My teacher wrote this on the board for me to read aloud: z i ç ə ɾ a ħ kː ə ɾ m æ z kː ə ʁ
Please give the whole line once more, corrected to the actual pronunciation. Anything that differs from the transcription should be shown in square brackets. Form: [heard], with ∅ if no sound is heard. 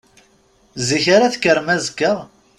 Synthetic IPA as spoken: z i ç [a] ɾ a [θ] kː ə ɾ m æ z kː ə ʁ